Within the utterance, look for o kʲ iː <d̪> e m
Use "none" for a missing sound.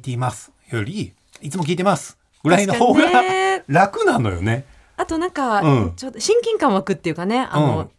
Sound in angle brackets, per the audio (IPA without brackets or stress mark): t̪